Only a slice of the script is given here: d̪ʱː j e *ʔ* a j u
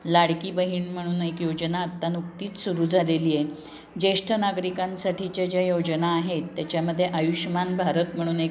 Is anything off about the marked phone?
no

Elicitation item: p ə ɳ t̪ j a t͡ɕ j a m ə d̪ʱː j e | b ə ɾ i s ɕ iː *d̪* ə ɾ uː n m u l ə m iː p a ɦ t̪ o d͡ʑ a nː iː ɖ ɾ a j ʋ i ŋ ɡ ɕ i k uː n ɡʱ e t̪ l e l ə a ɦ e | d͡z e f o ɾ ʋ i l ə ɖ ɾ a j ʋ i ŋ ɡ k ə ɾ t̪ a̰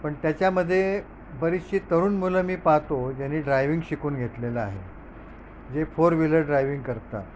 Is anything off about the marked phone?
yes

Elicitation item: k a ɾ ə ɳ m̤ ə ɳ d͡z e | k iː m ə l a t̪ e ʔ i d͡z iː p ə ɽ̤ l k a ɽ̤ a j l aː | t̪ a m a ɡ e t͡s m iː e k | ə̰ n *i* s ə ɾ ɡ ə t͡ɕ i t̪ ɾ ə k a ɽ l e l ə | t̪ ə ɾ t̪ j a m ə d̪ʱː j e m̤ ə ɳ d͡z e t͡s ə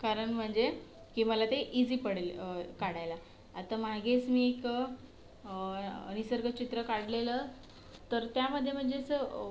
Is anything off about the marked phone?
no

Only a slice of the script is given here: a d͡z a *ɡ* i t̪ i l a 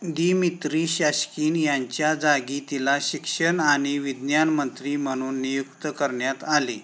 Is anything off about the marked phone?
no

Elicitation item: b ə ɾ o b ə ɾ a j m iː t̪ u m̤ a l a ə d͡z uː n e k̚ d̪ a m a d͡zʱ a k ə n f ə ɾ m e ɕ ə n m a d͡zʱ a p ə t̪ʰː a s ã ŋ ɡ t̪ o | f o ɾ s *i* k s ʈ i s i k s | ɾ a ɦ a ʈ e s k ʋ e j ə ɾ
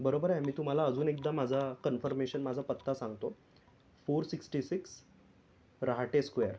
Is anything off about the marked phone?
no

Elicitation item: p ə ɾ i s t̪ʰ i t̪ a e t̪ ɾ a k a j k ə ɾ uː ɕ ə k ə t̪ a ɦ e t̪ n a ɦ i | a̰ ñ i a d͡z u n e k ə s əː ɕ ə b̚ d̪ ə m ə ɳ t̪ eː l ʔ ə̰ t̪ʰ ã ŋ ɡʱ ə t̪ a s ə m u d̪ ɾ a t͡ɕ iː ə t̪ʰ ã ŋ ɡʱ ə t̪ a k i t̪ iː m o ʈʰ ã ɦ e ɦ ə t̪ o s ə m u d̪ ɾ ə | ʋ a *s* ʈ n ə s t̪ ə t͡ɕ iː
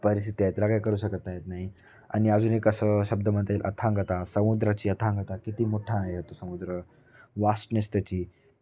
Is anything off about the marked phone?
no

